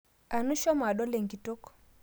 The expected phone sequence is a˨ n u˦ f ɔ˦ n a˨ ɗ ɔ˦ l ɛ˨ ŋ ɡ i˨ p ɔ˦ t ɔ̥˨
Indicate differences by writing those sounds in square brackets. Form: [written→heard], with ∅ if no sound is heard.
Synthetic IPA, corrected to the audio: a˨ n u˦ [f→ʃ] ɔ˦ [n→m] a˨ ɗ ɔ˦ l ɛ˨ ŋ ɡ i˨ [p→t] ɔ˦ [t→k] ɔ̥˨